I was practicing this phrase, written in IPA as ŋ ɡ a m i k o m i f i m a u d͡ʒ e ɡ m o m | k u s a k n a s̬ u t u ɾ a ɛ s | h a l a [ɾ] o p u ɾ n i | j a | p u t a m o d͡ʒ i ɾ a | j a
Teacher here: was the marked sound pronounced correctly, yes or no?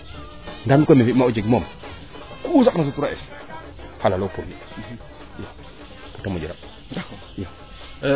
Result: no